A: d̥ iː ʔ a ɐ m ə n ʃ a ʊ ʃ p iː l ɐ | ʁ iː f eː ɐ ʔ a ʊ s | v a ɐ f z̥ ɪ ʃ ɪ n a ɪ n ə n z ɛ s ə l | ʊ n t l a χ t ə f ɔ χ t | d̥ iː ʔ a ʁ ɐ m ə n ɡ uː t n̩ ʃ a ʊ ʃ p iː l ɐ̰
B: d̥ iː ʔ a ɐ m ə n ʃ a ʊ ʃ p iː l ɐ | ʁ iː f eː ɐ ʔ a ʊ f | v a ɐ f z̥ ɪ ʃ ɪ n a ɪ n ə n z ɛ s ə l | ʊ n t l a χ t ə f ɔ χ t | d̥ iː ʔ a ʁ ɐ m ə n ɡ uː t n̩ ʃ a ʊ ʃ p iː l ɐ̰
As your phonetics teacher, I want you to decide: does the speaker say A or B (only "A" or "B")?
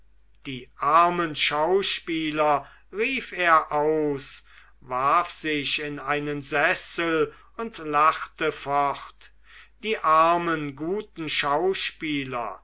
A